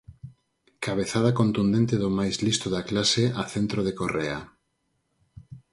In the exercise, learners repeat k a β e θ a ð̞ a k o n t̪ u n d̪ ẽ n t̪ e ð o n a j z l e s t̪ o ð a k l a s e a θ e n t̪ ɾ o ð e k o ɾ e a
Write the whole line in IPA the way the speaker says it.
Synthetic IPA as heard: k a β e θ a ð̞ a k o n t̪ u n d̪ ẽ n t̪ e ð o m a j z l i s t̪ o ð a k l a s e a θ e n t̪ ɾ o ð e k o r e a